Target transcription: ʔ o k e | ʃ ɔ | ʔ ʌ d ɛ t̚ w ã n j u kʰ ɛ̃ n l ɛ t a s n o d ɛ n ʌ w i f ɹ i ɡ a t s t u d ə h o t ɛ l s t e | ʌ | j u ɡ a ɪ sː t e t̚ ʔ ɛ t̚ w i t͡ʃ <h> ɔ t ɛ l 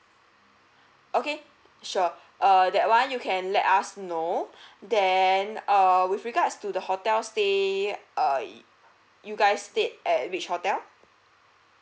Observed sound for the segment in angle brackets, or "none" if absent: h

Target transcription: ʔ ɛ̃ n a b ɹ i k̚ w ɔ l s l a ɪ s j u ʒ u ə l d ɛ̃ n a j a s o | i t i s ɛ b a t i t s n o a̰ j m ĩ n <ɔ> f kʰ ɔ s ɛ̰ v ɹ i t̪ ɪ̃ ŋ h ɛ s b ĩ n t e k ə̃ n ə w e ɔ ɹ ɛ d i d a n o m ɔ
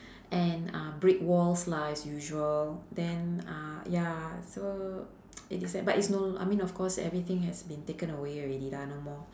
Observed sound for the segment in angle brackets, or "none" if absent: ɔ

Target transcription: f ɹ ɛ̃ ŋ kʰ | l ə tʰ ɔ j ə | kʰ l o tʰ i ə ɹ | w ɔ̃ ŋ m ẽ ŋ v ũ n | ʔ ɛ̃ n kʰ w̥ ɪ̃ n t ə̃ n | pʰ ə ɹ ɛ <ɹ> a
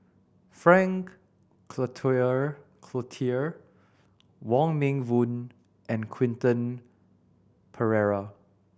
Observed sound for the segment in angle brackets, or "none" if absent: ɹ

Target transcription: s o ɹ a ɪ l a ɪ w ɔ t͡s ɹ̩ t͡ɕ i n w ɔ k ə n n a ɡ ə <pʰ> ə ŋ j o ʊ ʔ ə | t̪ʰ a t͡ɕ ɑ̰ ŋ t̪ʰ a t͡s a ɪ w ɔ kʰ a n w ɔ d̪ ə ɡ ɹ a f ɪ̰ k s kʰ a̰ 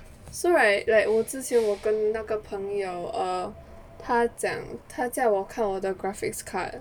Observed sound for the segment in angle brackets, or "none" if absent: pʰ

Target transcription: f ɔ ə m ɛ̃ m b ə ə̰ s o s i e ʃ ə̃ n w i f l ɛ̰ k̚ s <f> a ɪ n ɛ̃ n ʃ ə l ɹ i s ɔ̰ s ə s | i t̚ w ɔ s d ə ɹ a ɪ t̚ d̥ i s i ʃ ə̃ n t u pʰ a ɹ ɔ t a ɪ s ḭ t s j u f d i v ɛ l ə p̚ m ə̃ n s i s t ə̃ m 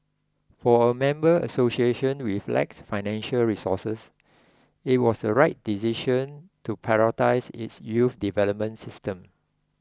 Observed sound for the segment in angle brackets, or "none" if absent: f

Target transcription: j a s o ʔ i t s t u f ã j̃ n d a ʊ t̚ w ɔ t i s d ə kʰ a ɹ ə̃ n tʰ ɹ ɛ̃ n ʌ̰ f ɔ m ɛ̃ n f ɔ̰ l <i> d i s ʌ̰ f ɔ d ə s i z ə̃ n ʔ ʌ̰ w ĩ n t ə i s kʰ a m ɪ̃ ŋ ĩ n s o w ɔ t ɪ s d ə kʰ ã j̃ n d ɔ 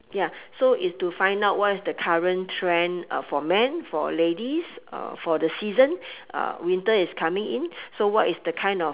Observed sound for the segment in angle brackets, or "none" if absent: e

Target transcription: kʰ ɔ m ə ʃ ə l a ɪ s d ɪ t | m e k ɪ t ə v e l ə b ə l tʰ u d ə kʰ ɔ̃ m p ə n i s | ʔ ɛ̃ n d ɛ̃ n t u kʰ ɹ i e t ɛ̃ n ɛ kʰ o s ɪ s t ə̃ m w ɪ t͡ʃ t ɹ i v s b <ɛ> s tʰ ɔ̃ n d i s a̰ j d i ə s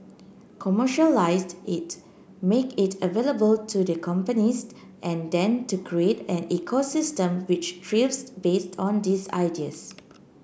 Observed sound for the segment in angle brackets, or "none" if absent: e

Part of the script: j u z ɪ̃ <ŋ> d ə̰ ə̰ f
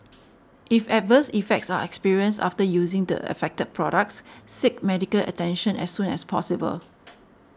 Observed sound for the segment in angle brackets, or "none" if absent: ŋ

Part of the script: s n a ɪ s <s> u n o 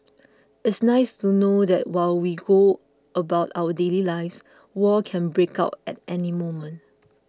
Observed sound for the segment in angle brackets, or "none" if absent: t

